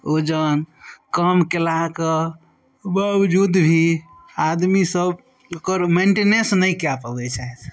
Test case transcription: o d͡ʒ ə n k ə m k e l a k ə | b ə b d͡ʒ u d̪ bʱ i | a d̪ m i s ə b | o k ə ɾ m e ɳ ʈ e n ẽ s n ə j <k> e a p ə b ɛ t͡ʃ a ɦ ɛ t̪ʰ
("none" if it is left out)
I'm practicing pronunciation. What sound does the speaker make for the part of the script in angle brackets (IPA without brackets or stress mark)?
k